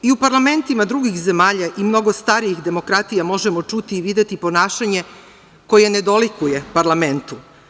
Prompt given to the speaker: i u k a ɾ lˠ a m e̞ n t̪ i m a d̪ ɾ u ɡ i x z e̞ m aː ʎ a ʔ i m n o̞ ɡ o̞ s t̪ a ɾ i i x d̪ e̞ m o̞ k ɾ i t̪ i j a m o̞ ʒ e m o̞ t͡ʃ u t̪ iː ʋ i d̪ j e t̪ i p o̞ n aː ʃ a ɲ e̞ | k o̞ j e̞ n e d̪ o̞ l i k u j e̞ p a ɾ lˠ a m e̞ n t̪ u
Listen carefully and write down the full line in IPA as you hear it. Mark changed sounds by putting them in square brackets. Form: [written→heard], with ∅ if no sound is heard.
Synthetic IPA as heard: i u [k→p] a ɾ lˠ a m e̞ n t̪ i m a d̪ ɾ u ɡ i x z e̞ m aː ʎ a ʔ i m n o̞ ɡ o̞ s t̪ a ɾ i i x d̪ e̞ m o̞ k ɾ [i→a] t̪ i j a m o̞ ʒ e m o̞ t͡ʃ u t̪ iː ʋ i d̪ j e t̪ i p o̞ n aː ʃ a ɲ e̞ | k o̞ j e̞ n e d̪ o̞ l i k u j e̞ p a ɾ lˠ a m e̞ n t̪ u